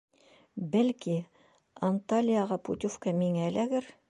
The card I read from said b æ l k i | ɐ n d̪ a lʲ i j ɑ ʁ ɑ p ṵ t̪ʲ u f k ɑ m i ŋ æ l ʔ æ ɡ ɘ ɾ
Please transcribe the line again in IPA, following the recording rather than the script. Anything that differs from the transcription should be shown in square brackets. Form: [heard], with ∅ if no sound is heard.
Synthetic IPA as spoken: b æ l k i | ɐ n [t̪] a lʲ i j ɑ ʁ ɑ p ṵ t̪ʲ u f k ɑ m i ŋ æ l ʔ æ ɡ ɘ ɾ

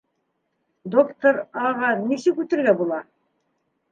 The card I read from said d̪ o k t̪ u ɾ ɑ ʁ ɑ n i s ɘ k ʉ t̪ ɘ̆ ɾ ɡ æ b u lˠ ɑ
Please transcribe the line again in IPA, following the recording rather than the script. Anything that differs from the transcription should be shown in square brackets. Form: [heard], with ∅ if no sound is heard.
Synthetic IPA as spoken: d̪ o k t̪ [o] ɾ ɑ ʁ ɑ n i s ɘ k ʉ t̪ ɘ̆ ɾ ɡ æ b u lˠ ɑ

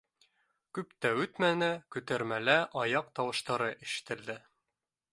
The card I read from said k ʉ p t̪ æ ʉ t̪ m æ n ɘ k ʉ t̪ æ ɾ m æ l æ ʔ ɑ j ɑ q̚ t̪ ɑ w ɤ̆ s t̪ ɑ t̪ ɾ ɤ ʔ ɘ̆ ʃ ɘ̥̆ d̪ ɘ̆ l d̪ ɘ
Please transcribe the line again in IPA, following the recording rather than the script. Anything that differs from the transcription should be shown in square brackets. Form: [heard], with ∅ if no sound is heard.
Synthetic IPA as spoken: k ʉ p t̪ æ ʉ t̪ m æ n ɘ k ʉ t̪ æ ɾ m æ l æ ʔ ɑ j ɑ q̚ t̪ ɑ w ɤ̆ [ʃ] t̪ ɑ [∅] ɾ ɤ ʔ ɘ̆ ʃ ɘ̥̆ [t̪] ɘ̆ l d̪ ɘ

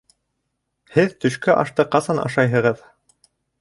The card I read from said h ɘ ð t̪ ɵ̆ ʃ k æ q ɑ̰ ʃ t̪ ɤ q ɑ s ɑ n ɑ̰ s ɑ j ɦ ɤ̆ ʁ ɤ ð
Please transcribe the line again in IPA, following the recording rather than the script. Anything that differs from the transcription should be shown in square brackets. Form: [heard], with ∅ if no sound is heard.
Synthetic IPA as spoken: h ɘ ð t̪ ɵ̆ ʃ k æ [ʔ] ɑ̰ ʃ t̪ ɤ q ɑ s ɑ n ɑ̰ [ʃ] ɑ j ɦ ɤ̆ ʁ ɤ ð

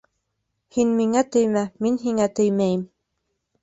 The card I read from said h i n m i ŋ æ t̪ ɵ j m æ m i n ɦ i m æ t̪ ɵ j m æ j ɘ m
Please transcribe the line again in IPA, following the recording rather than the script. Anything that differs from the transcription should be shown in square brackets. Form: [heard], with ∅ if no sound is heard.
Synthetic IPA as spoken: h i n m i ŋ æ t̪ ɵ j m æ m i n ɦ i [ŋ] æ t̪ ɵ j m æ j ɘ m

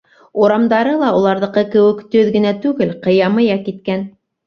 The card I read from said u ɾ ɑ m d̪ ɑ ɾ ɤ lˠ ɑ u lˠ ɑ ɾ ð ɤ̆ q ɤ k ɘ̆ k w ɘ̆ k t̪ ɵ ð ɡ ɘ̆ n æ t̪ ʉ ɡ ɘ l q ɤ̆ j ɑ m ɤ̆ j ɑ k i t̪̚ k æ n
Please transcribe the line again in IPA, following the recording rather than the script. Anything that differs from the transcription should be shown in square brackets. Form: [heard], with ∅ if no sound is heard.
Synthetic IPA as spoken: u ɾ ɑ m d̪ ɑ ɾ ɤ lˠ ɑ u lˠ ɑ ɾ ð ɤ̆ q ɤ k ɘ̆ [∅] w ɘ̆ k t̪ ɵ ð ɡ ɘ̆ n æ t̪ ʉ ɡ ɘ l q ɤ̆ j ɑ m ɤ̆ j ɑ k i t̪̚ k æ n

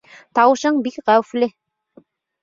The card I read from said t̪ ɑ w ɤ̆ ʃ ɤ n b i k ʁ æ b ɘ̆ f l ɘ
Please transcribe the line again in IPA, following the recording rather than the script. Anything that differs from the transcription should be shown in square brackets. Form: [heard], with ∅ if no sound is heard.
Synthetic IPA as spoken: t̪ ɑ w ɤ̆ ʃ ɤ [ɴ] b i k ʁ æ [w] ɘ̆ f l ɘ

